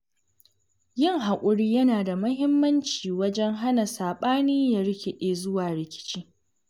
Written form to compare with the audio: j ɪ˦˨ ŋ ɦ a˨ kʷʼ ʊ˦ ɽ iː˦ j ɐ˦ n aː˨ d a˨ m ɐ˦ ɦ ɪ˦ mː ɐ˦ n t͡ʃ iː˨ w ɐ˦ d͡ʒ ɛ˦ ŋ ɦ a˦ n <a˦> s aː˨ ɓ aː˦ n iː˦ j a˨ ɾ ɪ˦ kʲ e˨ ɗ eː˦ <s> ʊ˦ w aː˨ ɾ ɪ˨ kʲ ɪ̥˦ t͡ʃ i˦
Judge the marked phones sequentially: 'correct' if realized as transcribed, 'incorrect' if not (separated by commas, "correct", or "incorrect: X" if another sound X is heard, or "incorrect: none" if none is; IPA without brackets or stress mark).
incorrect: a˨, incorrect: z